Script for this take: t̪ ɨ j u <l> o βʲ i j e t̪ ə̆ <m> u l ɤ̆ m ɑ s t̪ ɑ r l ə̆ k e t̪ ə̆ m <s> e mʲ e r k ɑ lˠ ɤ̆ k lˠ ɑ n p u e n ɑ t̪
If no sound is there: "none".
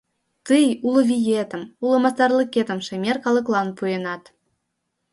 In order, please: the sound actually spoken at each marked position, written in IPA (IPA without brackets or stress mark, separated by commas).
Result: l, m, ʃ